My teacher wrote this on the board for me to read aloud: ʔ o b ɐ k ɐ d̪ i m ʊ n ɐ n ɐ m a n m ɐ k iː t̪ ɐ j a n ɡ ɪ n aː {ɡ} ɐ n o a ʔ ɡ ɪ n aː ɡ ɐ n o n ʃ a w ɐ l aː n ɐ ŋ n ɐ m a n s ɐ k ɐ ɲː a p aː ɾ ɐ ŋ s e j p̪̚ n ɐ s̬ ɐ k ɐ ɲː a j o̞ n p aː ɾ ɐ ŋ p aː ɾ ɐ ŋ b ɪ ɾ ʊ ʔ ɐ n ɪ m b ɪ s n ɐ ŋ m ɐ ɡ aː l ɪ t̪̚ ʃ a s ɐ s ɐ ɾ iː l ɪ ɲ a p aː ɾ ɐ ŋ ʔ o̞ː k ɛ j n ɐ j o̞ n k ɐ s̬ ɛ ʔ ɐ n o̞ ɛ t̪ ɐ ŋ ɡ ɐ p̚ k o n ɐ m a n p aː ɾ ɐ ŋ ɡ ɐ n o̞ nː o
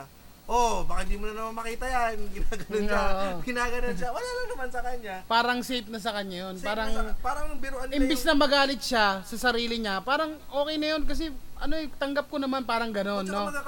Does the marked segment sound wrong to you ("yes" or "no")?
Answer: no